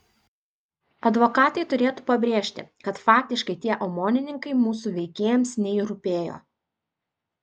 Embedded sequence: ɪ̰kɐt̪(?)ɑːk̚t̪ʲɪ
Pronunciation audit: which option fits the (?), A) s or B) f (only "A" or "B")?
B